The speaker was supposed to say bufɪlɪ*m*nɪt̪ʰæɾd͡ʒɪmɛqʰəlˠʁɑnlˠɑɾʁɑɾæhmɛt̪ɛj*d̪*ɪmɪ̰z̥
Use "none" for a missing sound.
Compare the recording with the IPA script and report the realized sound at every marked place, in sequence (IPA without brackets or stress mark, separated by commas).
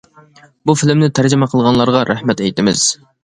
m, t̪